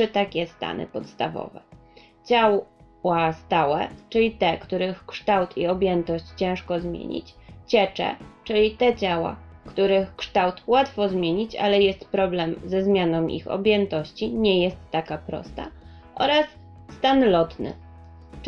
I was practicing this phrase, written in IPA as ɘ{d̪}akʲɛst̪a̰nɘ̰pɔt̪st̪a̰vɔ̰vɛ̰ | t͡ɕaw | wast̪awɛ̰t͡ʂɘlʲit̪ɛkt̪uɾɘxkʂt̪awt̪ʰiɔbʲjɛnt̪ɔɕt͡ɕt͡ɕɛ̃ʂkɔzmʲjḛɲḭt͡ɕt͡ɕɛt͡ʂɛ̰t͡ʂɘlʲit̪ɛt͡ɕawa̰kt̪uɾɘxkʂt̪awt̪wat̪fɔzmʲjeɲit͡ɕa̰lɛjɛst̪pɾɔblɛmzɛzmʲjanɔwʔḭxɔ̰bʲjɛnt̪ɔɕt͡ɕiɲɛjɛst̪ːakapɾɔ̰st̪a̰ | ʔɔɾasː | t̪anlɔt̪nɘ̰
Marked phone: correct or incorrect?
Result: incorrect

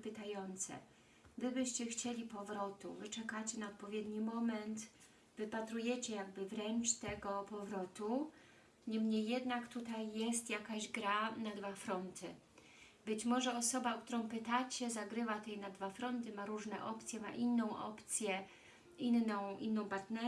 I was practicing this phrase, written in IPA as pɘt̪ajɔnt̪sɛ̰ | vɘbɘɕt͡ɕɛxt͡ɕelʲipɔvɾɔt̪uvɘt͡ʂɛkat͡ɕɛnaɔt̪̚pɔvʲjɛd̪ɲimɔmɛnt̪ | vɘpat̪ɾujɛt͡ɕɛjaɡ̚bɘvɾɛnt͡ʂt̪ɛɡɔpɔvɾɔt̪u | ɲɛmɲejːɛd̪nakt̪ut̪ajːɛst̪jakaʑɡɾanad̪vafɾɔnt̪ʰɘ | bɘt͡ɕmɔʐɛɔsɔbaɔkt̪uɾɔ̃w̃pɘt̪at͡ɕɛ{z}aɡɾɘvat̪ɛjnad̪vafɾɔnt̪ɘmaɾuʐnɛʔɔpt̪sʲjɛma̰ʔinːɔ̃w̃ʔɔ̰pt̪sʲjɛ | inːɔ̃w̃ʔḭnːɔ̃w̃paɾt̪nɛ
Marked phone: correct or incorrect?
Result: correct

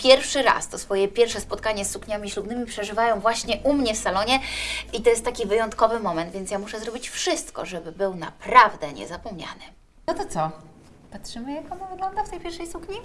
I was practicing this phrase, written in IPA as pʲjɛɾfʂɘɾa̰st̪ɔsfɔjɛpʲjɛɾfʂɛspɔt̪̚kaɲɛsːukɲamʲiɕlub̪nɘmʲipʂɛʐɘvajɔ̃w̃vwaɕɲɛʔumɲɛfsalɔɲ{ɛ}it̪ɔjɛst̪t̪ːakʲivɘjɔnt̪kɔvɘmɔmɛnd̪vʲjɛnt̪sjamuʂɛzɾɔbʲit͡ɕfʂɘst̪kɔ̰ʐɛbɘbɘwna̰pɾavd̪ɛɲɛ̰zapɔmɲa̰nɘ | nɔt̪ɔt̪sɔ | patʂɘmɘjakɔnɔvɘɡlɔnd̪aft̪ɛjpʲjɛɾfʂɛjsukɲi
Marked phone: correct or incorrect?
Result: correct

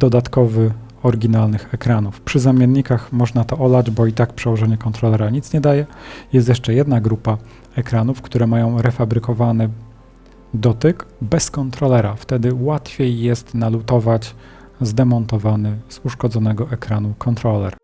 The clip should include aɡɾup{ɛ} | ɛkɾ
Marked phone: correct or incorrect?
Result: incorrect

